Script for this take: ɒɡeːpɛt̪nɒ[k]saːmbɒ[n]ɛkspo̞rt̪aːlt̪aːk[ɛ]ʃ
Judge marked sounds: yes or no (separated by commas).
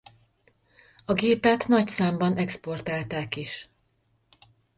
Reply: no, yes, no